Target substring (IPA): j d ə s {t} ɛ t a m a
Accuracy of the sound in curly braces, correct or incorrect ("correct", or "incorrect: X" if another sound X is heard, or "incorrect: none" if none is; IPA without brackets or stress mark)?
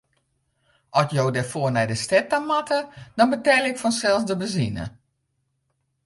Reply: correct